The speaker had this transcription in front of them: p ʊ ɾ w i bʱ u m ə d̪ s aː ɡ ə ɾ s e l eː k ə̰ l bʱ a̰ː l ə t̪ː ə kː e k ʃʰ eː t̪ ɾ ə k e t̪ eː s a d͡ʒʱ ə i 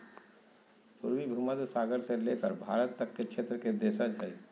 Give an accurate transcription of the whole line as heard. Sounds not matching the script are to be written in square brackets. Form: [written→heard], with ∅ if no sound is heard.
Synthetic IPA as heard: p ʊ ɾ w i bʱ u m ə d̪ s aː ɡ ə ɾ s e l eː k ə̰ [l→ɾ] bʱ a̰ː [l→ɾ] ə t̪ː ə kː e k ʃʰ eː t̪ ɾ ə k e [t̪→d̪] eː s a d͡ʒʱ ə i